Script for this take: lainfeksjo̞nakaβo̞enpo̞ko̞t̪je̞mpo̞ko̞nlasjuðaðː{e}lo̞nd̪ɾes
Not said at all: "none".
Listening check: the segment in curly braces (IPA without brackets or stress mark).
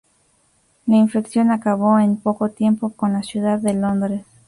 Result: e